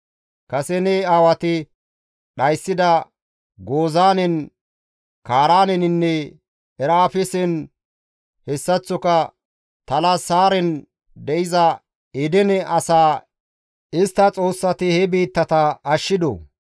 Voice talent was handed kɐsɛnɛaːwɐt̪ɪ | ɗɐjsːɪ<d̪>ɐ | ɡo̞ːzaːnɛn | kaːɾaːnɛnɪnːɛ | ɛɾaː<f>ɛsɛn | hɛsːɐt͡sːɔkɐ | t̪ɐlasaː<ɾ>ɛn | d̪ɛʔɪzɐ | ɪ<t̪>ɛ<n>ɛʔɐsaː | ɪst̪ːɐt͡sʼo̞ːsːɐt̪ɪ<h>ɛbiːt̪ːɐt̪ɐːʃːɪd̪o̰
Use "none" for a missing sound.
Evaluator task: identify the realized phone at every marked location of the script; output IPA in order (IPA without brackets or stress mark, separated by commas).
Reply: d̪, f, ɾ, d̪, n, h